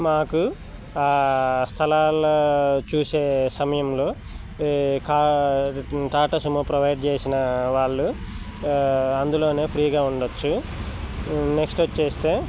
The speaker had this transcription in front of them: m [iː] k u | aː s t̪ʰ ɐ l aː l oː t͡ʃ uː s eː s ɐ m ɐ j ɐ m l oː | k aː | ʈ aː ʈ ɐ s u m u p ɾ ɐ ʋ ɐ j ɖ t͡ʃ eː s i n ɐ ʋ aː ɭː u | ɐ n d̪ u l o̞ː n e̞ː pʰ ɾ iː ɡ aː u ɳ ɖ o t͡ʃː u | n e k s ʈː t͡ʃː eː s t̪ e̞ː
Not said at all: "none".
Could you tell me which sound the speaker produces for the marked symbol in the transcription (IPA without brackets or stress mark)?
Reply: aː